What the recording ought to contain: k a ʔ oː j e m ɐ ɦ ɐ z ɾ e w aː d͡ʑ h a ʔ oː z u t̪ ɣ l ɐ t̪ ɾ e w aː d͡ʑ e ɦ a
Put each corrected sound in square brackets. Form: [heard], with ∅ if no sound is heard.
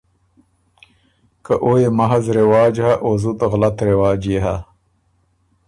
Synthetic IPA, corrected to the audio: k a ʔ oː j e m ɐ ɦ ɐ z ɾ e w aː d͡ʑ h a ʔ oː z u t̪ ɣ l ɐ t̪ ɾ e w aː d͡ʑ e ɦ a